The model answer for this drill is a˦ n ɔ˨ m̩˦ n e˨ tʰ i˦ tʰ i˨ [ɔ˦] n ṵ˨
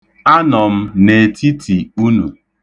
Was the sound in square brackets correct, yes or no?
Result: no